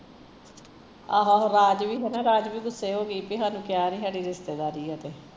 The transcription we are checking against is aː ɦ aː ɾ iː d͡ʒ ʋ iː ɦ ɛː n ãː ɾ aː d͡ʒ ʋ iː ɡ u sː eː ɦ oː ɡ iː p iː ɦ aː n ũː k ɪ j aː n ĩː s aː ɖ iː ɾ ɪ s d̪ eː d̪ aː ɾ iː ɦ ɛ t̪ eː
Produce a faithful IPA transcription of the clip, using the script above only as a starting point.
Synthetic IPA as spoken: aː ɦ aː ɾ aː d͡ʒ ʋ iː ɦ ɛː n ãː ɾ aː d͡ʒ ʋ iː ɡ ʊ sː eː ɦ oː ɡ iː p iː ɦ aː n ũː k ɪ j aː n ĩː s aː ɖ iː ɾ ɪ s t̪ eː d̪ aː ɾ iː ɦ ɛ t̪ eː